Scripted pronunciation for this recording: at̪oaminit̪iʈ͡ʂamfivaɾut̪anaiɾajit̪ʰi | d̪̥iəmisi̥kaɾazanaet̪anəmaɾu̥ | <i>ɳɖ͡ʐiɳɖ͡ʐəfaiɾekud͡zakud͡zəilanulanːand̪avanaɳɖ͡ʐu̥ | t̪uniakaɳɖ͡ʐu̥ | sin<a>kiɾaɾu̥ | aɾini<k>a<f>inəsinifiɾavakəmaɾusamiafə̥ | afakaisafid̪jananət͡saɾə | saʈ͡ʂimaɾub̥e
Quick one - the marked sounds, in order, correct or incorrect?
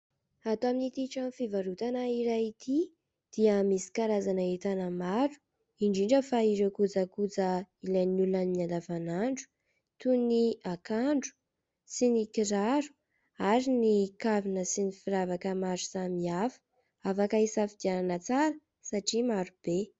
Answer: correct, incorrect: i, correct, incorrect: v

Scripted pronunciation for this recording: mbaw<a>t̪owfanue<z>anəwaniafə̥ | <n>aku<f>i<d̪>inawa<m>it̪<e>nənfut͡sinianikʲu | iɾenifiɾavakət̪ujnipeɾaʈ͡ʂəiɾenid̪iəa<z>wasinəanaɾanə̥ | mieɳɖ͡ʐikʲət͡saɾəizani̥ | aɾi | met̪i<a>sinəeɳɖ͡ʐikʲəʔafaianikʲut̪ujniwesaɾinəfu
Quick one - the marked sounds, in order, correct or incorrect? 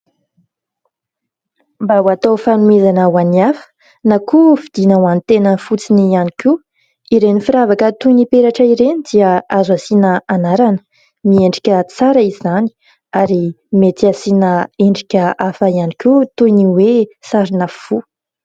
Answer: correct, correct, correct, correct, correct, incorrect: n, correct, correct, correct

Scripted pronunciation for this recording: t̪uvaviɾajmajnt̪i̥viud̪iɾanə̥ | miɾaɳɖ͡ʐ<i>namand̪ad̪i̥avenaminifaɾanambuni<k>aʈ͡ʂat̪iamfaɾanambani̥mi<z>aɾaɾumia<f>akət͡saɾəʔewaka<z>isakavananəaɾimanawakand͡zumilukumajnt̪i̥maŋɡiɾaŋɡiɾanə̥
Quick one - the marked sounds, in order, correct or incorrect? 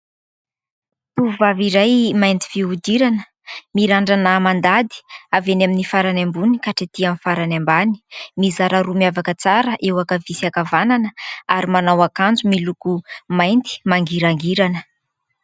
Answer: incorrect: a, correct, correct, incorrect: v, incorrect: v

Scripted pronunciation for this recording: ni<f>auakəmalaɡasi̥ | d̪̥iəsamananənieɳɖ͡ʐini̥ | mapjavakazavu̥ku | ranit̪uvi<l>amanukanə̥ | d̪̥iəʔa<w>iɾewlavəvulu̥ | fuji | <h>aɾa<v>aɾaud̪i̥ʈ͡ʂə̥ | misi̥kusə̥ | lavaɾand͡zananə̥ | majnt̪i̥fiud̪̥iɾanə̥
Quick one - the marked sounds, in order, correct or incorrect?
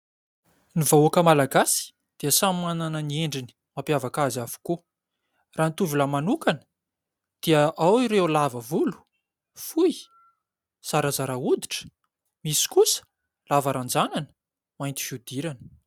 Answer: incorrect: v, correct, correct, incorrect: s, incorrect: z

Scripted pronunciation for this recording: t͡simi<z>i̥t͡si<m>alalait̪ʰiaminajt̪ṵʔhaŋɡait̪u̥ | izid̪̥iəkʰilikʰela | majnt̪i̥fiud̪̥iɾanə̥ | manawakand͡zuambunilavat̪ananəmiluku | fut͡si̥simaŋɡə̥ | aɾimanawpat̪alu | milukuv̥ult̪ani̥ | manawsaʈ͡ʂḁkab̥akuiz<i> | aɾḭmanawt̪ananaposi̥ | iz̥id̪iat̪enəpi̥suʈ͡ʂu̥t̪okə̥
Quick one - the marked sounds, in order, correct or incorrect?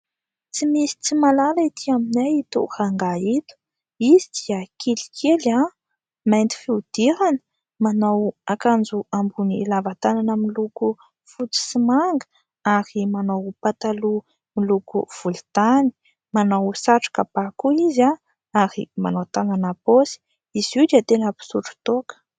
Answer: incorrect: s, correct, incorrect: a

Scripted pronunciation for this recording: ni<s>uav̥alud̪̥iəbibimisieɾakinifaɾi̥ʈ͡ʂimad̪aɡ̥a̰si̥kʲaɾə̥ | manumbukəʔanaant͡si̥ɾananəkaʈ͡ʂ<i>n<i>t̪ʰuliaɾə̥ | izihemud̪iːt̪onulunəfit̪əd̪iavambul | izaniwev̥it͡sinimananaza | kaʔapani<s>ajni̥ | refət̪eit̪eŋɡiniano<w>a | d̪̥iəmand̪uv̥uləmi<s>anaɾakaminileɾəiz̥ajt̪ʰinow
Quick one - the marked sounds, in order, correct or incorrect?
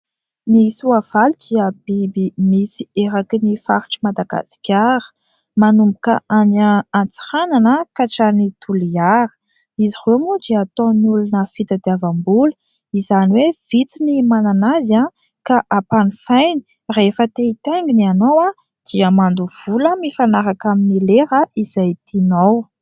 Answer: correct, incorrect: a, correct, incorrect: f, correct, incorrect: f

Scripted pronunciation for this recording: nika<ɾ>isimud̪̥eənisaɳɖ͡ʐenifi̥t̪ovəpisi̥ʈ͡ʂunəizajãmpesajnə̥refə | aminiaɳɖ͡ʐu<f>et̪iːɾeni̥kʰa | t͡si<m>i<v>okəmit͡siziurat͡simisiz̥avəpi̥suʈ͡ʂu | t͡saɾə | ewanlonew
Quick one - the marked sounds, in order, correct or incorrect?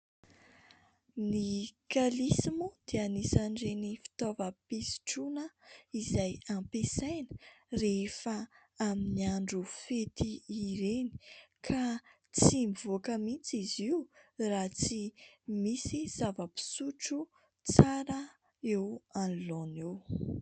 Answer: incorrect: l, correct, correct, correct

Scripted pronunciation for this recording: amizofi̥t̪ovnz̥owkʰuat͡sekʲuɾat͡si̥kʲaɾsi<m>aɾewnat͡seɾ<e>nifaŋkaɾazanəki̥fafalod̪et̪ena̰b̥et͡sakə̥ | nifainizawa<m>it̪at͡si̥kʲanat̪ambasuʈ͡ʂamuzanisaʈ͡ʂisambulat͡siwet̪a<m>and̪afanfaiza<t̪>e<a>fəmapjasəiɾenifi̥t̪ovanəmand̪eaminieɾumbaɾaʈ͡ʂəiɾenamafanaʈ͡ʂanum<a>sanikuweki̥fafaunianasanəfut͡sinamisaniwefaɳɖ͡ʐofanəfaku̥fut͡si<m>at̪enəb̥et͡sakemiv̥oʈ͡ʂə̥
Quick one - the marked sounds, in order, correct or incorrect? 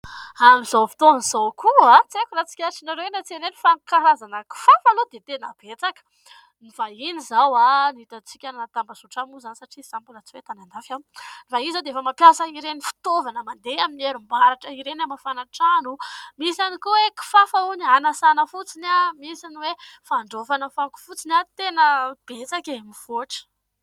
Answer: incorrect: n, correct, incorrect: n, incorrect: n, incorrect: d̪, incorrect: e, incorrect: i, incorrect: n

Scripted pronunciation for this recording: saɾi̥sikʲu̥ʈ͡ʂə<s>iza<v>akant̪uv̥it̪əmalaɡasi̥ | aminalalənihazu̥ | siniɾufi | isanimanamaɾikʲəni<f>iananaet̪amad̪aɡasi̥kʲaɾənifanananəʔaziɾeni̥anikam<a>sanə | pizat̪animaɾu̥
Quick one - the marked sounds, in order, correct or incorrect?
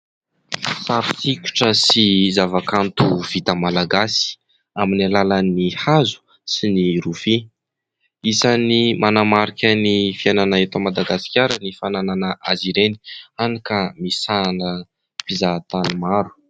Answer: correct, correct, correct, incorrect: i

